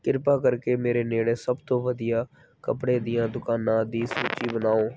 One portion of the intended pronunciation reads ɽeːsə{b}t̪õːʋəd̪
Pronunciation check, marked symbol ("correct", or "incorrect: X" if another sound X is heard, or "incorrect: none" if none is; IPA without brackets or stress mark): correct